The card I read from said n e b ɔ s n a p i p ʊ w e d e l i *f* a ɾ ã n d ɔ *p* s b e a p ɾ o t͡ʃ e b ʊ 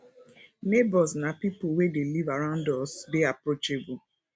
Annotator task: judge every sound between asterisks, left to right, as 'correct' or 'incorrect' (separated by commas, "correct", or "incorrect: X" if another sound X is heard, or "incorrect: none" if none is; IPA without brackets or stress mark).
incorrect: v, incorrect: none